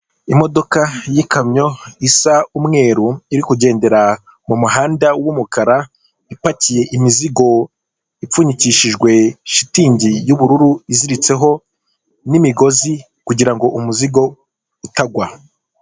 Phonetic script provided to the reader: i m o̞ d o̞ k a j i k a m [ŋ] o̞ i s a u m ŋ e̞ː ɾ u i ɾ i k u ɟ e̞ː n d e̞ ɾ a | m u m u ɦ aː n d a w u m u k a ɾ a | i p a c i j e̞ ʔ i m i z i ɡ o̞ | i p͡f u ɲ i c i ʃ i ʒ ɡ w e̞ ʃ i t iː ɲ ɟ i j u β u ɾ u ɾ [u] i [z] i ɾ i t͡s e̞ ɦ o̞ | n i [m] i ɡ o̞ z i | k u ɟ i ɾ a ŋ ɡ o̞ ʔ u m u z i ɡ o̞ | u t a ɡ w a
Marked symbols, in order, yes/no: no, yes, yes, yes

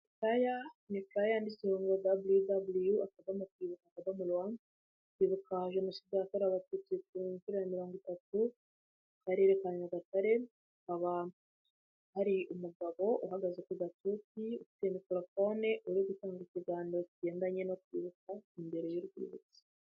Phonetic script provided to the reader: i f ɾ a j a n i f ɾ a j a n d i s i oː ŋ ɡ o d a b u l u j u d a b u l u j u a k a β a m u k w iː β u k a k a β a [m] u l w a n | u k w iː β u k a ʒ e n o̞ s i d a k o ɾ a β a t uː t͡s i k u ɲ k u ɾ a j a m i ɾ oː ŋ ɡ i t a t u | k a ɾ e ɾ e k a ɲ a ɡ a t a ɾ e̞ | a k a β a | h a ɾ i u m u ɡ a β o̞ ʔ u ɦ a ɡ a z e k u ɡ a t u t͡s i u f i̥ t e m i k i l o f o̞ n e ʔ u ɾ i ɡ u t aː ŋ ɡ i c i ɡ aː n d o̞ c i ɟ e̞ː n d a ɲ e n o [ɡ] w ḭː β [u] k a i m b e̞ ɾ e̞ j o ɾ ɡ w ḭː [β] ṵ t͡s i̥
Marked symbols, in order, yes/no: yes, no, yes, yes

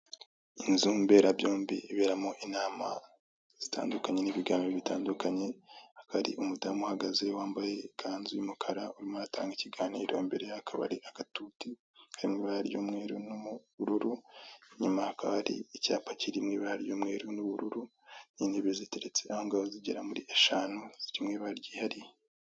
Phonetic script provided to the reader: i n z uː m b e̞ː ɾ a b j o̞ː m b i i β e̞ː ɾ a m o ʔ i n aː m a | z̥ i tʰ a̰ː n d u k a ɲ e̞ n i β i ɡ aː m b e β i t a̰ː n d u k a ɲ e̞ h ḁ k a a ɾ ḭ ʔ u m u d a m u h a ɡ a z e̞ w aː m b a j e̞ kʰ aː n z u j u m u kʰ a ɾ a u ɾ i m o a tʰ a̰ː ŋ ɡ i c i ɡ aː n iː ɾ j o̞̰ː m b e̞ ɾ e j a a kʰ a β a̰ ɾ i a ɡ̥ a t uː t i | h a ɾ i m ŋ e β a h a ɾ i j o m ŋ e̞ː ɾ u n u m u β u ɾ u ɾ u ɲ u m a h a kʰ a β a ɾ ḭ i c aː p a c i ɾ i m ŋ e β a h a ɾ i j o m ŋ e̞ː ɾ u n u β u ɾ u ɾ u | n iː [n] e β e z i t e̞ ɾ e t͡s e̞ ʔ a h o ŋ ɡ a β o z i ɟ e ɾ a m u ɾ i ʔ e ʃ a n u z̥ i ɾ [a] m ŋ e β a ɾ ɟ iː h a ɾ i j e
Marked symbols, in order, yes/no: yes, no

